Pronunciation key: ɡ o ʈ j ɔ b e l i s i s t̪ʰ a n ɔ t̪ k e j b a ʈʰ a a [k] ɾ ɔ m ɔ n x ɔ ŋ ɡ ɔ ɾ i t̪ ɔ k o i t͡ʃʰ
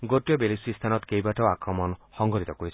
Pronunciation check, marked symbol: correct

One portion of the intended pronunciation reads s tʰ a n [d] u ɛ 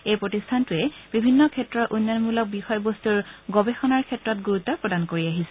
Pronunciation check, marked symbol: incorrect: t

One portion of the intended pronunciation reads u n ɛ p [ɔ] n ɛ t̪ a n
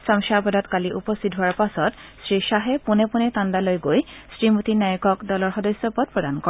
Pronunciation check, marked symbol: incorrect: u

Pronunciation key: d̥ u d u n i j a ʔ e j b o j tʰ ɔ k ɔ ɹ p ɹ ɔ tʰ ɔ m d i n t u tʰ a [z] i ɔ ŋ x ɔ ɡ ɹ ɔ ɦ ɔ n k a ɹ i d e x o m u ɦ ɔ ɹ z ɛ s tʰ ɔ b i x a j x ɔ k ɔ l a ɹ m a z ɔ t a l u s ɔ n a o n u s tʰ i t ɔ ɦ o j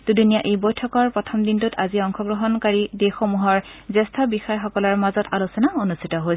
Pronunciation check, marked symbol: correct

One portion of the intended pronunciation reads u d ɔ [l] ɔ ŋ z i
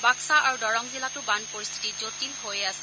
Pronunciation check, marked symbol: incorrect: ɹ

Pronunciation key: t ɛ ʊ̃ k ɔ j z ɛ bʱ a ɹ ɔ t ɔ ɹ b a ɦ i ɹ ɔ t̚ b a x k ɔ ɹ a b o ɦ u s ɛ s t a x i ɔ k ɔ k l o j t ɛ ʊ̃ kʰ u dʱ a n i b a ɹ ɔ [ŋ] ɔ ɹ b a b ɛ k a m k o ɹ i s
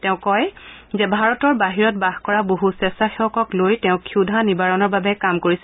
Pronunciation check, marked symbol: incorrect: n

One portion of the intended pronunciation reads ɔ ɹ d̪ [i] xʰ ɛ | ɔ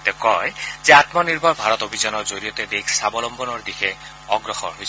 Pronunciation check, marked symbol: correct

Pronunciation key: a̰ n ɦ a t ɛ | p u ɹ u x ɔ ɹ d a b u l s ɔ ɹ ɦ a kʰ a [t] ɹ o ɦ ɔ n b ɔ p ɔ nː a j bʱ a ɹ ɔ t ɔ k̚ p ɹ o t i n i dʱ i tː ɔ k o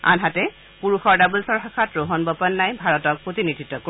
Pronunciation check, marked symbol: correct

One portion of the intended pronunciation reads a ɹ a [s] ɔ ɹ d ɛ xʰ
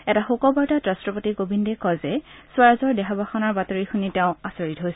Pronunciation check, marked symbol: incorrect: z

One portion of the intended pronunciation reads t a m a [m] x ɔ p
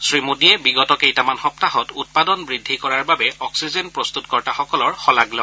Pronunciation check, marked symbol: incorrect: n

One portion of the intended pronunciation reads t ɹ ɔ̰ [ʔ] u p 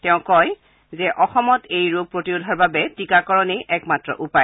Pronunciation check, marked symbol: correct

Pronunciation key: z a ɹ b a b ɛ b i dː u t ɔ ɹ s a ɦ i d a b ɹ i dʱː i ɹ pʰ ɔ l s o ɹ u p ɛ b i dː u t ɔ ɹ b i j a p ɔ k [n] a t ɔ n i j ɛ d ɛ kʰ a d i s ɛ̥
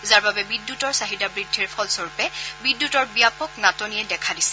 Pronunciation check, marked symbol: correct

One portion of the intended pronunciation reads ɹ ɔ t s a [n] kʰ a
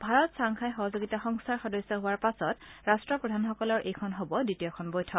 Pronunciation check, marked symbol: incorrect: ŋ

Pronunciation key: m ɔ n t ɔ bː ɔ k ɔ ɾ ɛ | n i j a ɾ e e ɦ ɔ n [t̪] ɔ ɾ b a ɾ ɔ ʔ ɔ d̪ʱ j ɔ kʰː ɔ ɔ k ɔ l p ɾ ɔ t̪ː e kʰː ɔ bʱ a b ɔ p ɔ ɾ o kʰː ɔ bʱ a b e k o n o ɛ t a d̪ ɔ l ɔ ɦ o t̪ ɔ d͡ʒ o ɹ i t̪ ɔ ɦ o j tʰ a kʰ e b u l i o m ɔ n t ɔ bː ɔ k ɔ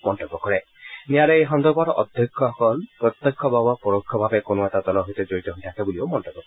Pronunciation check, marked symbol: incorrect: d̪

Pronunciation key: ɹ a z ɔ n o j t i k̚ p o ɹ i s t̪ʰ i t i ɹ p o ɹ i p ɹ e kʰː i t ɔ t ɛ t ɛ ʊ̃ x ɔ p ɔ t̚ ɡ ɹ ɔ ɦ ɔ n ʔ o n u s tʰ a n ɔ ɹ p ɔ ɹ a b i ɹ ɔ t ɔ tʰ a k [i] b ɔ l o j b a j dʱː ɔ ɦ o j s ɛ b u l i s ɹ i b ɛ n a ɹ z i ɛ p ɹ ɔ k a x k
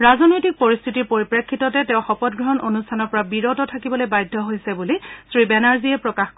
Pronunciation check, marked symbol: correct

